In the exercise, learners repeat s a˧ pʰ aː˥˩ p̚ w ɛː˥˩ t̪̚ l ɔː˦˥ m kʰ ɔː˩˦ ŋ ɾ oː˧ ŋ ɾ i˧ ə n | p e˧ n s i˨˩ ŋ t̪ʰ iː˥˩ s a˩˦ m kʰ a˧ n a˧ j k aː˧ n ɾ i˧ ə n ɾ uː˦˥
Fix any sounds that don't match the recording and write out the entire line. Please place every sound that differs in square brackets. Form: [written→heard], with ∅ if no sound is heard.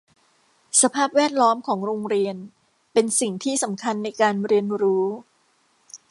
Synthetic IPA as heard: s a˧ pʰ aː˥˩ p̚ w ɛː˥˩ t̪̚ l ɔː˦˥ m kʰ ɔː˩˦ ŋ ɾ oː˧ ŋ ɾ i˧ ə n | p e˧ n s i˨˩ ŋ t̪ʰ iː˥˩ s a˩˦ m kʰ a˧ [n→nː] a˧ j k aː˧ n ɾ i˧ ə n ɾ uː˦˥